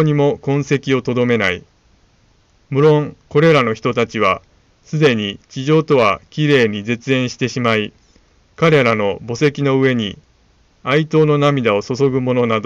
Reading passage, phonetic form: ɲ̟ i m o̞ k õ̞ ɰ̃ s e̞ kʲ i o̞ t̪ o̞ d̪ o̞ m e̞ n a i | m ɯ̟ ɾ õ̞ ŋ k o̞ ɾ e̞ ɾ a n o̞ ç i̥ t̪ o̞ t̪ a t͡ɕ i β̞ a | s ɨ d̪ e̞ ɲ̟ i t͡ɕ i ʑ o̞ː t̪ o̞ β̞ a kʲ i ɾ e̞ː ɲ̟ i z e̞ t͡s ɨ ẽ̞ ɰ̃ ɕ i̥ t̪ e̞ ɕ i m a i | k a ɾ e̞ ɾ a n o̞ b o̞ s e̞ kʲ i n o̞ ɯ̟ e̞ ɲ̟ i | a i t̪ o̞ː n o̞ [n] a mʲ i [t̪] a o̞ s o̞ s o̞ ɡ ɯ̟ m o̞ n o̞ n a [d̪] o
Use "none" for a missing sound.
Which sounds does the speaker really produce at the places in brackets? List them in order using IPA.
n, d̪, d̪

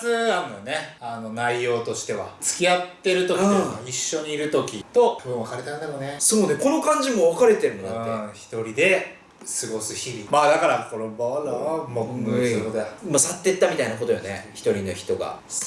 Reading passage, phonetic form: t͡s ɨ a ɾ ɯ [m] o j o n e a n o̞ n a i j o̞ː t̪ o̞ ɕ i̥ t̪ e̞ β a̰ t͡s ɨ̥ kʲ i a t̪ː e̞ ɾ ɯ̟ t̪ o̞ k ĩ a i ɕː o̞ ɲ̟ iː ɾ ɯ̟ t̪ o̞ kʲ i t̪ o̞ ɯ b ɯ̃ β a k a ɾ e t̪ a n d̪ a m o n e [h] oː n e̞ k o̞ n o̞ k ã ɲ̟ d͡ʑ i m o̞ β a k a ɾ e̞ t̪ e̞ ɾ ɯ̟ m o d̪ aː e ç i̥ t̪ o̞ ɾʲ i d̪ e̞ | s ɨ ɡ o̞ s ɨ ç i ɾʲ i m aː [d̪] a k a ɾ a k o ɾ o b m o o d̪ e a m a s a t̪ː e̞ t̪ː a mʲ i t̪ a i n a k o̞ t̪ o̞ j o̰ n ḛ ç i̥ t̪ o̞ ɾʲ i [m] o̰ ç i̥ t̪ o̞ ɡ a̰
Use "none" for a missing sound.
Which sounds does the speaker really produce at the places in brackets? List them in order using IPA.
n, s, d̪, n

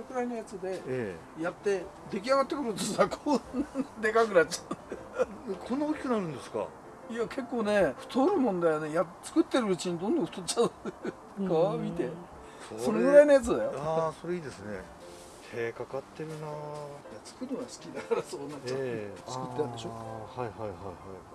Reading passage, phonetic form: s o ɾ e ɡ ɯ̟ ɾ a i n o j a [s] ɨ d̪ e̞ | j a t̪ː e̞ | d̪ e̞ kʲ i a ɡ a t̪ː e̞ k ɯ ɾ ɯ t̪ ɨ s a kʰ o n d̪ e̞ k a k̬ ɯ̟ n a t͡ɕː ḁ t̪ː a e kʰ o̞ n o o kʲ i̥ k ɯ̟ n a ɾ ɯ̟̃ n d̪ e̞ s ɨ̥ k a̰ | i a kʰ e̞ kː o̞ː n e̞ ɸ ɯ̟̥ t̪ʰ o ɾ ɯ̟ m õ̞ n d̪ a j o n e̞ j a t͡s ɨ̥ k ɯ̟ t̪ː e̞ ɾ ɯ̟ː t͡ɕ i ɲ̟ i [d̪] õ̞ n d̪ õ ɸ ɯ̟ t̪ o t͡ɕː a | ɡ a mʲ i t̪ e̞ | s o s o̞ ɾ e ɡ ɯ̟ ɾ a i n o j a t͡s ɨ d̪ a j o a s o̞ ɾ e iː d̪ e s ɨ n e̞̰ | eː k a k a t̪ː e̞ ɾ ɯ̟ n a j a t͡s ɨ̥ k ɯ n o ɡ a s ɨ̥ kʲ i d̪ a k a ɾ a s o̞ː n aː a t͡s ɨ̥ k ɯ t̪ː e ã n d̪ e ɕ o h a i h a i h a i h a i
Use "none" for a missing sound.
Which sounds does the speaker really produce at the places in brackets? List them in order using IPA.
t͡s, d̪

